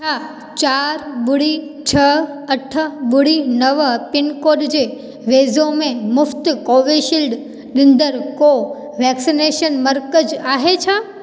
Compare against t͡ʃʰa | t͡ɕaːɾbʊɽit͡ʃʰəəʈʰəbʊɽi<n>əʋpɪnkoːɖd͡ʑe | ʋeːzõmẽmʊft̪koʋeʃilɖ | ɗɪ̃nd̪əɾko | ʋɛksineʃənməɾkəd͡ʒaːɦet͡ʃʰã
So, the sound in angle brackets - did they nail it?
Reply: yes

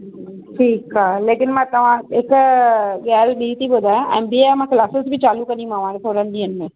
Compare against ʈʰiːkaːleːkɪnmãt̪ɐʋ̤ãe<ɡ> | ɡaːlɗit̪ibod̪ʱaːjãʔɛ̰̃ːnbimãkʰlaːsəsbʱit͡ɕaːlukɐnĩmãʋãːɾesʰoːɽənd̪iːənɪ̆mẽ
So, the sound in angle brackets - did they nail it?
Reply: no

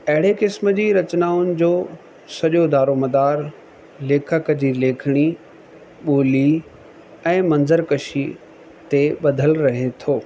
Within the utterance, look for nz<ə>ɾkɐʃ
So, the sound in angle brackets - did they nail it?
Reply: yes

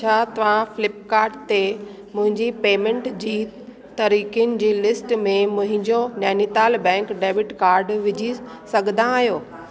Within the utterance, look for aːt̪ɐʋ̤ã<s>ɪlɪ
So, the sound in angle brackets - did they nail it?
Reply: no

